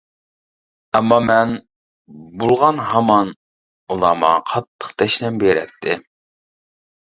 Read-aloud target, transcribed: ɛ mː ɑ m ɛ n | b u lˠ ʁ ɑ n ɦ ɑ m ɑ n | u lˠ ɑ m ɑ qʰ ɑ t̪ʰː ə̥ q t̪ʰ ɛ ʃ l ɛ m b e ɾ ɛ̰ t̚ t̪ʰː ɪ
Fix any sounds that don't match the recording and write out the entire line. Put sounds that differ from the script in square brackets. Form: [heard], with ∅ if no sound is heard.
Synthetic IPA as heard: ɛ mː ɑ m ɛ n | b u lˠ ʁ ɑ n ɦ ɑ m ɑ n | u lˠ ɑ m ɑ qʰ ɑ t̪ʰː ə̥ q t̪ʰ ɛ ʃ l ɛ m b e ɾ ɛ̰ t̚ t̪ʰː ɪ